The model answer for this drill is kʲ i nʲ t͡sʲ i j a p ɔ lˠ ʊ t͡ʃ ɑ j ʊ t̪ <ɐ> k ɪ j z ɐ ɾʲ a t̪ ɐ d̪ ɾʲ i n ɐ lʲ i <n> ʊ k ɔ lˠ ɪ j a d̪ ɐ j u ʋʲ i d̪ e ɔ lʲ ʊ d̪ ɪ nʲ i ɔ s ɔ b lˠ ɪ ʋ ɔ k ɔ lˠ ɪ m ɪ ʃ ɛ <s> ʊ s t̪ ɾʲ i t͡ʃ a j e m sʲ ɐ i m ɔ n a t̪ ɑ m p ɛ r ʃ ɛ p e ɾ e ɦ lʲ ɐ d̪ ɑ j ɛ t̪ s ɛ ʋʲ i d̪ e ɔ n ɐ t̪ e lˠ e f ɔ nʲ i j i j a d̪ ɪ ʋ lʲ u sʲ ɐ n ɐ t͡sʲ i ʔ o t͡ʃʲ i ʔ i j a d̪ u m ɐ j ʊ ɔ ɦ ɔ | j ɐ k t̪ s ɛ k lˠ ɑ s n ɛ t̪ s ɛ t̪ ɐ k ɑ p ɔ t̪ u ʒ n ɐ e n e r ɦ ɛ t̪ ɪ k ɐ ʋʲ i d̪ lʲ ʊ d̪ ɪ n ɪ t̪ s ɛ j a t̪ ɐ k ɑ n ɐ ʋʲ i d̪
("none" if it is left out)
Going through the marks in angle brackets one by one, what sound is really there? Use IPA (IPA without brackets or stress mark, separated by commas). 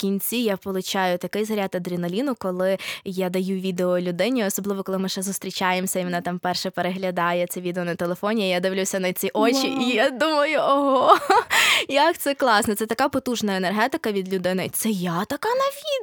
ɐ, n, z